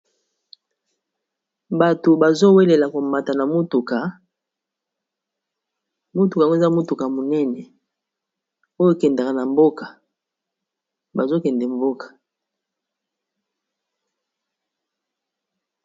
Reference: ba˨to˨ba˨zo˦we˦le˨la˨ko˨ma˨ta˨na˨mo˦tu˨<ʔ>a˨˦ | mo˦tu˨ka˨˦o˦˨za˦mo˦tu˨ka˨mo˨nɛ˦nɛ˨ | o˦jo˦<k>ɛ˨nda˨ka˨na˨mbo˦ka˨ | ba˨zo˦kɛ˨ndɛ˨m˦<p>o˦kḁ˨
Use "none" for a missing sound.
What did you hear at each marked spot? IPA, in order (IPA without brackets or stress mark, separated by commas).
k, k, b